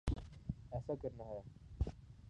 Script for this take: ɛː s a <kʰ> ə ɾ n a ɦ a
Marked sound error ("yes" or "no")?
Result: yes